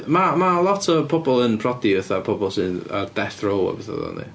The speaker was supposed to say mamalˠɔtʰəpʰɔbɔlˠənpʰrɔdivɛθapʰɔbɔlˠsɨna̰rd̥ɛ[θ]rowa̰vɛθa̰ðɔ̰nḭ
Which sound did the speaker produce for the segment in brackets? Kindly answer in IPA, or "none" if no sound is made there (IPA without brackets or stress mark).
θ